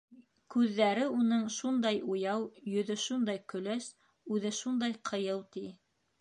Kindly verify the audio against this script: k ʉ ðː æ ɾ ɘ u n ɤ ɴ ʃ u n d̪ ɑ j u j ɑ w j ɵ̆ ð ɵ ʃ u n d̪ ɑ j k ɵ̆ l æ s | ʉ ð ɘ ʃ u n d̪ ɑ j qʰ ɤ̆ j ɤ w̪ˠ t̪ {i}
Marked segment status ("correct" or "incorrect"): correct